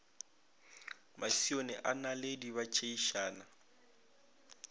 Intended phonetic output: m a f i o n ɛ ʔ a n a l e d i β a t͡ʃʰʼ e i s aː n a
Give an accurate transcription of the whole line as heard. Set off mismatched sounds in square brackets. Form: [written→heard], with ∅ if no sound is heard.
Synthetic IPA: m a [f→s] i o n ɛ ʔ a n a l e d i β a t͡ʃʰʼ e i [s→ʃ] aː n a